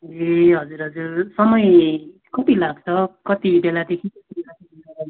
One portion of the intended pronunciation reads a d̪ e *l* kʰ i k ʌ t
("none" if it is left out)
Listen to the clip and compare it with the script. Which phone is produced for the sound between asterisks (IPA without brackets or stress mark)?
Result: none